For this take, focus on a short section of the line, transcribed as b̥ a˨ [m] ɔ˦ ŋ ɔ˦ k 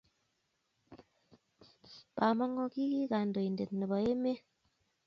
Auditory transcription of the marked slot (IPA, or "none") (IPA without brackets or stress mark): m